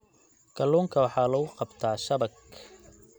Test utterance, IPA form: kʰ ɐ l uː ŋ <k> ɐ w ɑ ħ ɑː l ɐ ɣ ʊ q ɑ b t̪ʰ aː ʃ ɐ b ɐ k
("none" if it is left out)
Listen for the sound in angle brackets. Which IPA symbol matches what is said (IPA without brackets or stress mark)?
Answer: kʰ